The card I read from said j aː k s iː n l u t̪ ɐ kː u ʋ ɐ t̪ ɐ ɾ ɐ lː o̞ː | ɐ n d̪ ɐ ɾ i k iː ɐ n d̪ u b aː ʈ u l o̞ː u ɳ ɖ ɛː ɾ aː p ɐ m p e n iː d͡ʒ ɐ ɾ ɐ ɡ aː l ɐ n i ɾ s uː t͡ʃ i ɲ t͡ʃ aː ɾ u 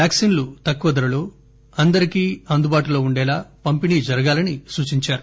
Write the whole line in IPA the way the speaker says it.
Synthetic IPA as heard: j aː k s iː n l u t̪ ɐ kː u ʋ ɐ d̪ ɐ ɾ ɐ l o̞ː | ɐ n d̪ ɐ ɾ i k iː ɐ n d̪ u b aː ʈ u l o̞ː u ɳ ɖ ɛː l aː p ɐ m p i n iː d͡ʒ ɐ ɾ ɐ ɡ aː l ɐ n i s uː t͡ʃ i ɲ t͡ʃ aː ɾ u